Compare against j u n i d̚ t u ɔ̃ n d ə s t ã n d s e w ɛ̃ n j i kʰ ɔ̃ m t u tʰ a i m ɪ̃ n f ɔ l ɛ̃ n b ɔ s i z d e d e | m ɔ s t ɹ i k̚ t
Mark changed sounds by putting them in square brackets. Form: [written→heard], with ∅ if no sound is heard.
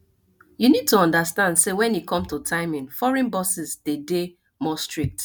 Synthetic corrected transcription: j u n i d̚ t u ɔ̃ n d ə s t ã n d s e w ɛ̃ n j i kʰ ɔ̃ m t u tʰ a [i→ɪ] m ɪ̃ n f ɔ [l→ɹ] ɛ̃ n b ɔ s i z d e d e | m ɔ s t ɹ i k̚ t